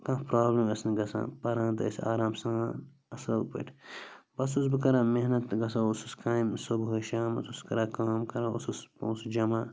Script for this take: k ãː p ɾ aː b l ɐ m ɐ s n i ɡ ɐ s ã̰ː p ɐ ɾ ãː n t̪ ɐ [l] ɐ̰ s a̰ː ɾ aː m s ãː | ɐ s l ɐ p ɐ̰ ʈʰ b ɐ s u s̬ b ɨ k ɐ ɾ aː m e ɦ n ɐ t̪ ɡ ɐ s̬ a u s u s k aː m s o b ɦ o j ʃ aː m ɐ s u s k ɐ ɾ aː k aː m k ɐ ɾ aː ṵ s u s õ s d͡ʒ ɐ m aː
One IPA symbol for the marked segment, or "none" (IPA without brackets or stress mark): none